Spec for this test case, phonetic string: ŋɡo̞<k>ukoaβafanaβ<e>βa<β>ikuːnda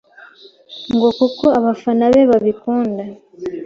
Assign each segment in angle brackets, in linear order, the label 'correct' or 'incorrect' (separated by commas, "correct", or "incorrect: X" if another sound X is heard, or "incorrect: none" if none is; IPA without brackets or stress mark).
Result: correct, correct, correct